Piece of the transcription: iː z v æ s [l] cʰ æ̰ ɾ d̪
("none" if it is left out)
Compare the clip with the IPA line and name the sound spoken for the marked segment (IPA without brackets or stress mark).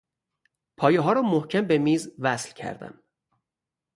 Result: l